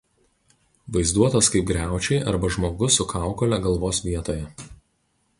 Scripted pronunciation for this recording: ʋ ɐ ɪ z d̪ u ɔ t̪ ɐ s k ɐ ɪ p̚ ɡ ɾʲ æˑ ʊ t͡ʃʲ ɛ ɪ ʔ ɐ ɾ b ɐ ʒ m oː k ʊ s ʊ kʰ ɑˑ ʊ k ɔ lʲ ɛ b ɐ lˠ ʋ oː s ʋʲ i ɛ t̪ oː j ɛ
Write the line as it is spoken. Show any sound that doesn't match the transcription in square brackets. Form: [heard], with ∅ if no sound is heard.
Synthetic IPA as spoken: ʋ ɐ ɪ z d̪ u ɔ t̪ ɐ s k ɐ ɪ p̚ ɡ ɾʲ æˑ ʊ t͡ʃʲ ɛ ɪ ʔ ɐ ɾ b ɐ ʒ m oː [ɡ] ʊ s ʊ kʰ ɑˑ ʊ k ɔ lʲ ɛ [ɡ] ɐ lˠ ʋ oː s ʋʲ i ɛ t̪ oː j ɛ

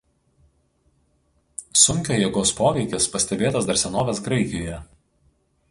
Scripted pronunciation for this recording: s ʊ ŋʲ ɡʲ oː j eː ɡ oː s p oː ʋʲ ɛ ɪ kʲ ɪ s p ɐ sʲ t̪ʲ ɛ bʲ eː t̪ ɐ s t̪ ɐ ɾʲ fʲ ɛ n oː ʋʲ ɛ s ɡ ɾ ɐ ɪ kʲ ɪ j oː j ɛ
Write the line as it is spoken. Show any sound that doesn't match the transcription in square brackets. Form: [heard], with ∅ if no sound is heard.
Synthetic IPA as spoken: s ʊ ŋʲ [kʲ] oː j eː ɡ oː s p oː ʋʲ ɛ ɪ kʲ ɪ s p ɐ sʲ t̪ʲ ɛ bʲ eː t̪ ɐ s [d̪] ɐ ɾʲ [sʲ] ɛ n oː ʋʲ ɛ s ɡ ɾ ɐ ɪ kʲ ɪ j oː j ɛ

